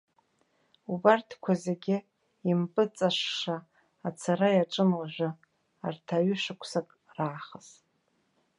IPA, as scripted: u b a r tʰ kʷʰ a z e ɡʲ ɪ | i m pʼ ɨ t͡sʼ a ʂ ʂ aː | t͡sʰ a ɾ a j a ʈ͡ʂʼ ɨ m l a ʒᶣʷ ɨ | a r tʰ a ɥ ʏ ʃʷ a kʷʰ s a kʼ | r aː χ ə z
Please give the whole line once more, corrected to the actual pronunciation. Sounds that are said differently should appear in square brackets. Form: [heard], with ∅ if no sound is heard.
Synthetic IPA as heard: u b a r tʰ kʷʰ a z e ɡʲ ɪ | i m pʼ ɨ t͡sʼ a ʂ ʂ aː | t͡sʰ a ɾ a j a ʈ͡ʂʼ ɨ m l a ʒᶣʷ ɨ | a r tʰ a ɥ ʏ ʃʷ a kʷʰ s a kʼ | r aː χ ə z